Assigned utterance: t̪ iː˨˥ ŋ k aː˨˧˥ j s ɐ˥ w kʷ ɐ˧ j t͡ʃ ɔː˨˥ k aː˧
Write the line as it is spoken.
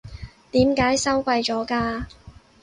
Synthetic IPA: t̪ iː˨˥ m k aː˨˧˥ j s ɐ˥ w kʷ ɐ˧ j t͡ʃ ɔː˨˥ k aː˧